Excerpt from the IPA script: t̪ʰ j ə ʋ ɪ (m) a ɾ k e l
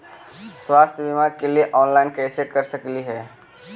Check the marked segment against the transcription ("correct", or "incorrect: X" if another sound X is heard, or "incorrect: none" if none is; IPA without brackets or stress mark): correct